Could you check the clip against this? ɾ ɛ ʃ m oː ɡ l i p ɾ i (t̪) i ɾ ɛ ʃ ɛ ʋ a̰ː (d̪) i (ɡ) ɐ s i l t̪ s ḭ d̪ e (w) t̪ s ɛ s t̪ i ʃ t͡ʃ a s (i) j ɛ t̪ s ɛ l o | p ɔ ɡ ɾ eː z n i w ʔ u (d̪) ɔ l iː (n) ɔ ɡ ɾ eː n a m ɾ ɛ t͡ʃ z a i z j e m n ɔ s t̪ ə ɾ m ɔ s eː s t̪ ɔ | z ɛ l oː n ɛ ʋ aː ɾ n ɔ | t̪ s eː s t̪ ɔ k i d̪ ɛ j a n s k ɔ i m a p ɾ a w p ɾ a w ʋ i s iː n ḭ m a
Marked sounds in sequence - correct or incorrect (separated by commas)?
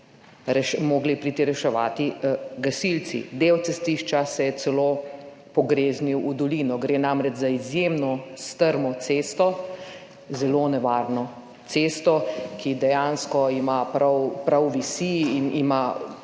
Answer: correct, incorrect, correct, correct, incorrect, correct, correct